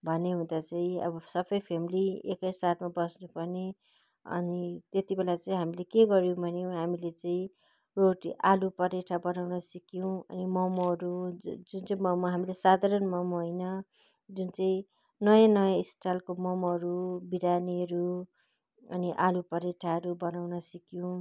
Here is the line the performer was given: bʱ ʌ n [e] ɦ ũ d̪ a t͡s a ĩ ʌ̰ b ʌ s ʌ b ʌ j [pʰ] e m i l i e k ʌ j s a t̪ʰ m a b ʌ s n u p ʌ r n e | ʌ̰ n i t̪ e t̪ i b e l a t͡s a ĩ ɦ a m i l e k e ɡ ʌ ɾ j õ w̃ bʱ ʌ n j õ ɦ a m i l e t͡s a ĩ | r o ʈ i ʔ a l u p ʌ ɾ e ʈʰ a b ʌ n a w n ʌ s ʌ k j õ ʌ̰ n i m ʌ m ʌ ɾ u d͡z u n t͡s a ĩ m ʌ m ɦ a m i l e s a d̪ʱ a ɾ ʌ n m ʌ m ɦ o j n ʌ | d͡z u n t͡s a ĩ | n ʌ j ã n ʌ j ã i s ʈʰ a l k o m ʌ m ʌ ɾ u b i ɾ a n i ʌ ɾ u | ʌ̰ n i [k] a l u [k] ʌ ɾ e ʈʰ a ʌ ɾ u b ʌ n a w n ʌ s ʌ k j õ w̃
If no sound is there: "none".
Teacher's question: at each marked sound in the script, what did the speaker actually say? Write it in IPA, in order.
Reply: e, pʰ, ʔ, p

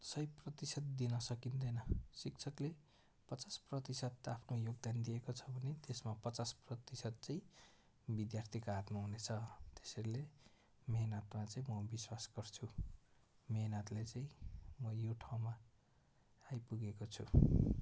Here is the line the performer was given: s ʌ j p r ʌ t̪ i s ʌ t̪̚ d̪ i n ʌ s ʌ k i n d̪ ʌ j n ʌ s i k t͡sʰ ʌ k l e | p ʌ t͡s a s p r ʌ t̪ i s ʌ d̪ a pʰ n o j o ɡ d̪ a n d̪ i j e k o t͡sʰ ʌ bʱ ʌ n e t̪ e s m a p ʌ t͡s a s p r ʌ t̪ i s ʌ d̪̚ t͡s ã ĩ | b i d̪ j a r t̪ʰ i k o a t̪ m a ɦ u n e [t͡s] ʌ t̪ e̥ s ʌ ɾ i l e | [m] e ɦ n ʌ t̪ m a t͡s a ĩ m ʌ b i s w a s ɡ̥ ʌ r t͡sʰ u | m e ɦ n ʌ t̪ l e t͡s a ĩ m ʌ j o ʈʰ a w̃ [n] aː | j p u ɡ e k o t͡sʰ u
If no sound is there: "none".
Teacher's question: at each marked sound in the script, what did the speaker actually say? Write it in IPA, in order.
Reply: t͡sʰ, m, m

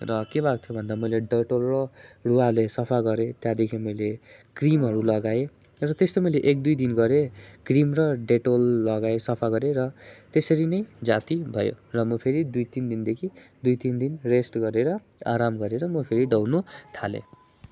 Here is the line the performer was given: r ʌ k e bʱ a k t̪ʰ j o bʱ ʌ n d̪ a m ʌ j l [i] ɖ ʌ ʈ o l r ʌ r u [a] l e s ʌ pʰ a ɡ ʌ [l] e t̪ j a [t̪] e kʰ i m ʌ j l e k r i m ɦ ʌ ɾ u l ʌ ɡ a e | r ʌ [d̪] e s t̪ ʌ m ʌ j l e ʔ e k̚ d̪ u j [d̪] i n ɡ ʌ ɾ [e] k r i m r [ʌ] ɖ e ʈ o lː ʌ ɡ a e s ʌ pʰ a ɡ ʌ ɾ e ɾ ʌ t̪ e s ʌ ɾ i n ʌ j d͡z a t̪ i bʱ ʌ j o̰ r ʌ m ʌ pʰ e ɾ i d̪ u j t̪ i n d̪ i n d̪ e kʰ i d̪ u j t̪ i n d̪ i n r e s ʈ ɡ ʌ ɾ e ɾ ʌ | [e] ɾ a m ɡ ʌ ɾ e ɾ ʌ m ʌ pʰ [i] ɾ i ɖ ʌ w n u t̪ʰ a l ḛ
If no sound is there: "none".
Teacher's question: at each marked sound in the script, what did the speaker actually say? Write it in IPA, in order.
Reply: e, a, ɾ, d̪, t̪, d̪, e, ʌ, a, e

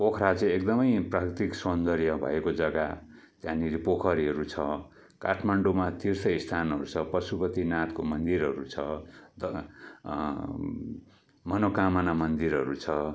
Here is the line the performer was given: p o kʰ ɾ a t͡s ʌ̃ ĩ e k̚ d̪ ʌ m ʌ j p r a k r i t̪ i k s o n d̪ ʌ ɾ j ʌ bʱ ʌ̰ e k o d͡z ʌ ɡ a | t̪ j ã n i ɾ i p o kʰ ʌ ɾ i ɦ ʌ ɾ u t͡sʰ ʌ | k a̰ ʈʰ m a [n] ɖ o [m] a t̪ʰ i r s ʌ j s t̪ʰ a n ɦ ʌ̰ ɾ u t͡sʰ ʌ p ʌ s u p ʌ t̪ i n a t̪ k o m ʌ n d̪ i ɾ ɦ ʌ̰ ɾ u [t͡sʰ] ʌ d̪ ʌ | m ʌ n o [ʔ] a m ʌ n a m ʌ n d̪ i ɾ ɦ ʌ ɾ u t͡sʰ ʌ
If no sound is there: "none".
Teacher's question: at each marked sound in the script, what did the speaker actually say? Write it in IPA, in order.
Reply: ɳ, m, t͡sʰ, k

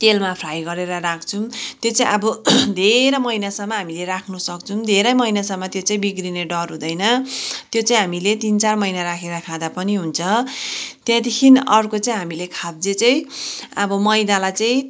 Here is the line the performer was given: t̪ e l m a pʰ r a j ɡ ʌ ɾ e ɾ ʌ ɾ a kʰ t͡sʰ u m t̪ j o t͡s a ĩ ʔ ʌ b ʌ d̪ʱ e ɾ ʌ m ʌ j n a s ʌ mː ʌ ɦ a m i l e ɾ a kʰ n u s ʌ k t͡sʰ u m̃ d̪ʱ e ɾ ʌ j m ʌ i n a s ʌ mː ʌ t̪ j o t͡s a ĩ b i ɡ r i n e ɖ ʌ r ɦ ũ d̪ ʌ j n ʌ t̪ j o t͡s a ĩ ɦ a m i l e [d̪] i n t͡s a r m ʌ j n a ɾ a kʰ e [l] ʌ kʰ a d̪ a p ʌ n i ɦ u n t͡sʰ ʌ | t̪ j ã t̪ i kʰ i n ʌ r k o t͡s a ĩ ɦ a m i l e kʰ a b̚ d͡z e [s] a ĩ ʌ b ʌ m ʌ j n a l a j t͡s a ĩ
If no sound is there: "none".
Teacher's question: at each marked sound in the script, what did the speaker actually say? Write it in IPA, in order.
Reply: t̪, ɾ, t͡s

